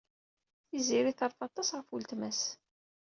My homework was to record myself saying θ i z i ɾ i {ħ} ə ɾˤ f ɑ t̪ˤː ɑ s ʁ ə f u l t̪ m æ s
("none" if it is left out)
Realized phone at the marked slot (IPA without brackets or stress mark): θ